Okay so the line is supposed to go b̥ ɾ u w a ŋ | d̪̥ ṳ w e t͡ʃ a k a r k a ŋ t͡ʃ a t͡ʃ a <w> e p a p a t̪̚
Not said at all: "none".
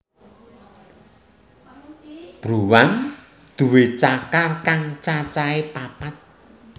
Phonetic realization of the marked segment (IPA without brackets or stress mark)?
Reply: none